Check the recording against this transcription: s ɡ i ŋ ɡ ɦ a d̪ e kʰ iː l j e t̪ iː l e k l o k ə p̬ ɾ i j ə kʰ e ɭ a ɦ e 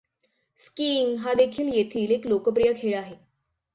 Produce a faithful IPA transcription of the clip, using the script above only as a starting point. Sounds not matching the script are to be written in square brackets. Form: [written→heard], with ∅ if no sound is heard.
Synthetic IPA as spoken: s [ɡ→k] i ŋ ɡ ɦ a d̪ e kʰ iː l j e [t̪→t̪ʰ] iː l e k l o k ə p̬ ɾ i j ə kʰ e ɭ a ɦ e

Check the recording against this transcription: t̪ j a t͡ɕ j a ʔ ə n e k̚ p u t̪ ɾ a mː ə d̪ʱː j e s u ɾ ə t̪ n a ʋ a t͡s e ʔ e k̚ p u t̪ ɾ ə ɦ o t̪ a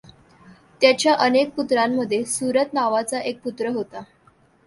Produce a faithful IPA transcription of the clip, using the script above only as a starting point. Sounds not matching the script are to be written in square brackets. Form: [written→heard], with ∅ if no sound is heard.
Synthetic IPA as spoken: t̪ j a t͡ɕ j a ʔ ə n e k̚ p u t̪ ɾ a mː ə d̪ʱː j e s u ɾ ə t̪ n a ʋ a t͡s [e→a] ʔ e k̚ p u t̪ ɾ ə ɦ o t̪ a

